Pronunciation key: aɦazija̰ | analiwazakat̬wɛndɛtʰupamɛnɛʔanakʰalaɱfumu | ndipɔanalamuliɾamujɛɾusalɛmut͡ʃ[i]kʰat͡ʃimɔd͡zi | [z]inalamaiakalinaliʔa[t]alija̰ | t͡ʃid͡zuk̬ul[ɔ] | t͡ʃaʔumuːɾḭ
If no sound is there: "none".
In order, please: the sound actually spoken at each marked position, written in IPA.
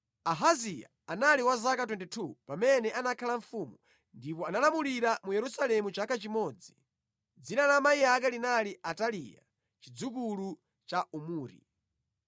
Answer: a, d͡z, t, u

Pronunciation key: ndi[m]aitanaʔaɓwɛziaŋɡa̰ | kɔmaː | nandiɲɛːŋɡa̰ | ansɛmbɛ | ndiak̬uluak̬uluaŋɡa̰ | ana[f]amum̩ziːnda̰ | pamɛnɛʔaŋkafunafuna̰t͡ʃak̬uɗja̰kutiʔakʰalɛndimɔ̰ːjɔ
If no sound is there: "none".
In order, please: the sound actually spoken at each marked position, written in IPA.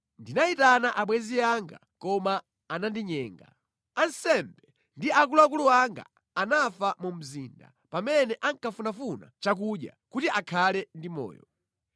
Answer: n, f

